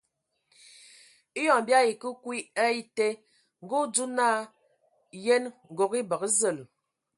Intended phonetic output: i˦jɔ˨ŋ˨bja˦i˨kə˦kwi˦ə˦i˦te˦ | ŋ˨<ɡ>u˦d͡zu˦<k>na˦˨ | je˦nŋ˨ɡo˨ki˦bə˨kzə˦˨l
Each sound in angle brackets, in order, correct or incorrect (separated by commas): correct, incorrect